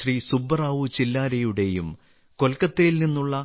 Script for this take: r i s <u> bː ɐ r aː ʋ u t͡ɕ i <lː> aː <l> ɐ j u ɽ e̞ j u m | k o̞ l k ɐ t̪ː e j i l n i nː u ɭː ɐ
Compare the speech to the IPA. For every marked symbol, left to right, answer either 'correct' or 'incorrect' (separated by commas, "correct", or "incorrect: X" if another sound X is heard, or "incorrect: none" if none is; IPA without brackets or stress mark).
correct, correct, incorrect: ɾ